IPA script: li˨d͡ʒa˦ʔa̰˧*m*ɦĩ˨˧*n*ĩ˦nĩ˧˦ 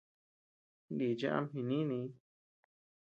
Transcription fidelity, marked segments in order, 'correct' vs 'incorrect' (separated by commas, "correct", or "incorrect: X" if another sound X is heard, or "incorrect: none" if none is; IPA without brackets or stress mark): correct, correct